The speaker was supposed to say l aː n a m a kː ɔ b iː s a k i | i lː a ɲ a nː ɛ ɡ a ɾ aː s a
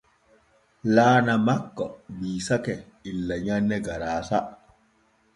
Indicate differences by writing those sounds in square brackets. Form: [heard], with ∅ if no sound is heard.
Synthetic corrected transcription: l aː n a m a kː ɔ b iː s a k [ɛ] | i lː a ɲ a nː ɛ ɡ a ɾ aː s a